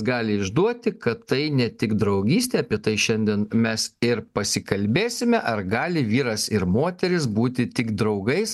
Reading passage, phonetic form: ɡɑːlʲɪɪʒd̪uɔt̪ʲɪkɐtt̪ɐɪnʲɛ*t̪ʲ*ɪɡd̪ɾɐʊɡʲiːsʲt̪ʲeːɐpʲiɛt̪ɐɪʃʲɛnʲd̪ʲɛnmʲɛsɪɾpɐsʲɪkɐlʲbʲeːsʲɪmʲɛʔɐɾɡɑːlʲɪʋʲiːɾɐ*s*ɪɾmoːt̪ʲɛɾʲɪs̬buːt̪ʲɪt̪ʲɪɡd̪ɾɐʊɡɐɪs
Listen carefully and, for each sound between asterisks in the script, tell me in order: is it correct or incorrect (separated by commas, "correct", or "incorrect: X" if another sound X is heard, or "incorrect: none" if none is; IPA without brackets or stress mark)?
correct, correct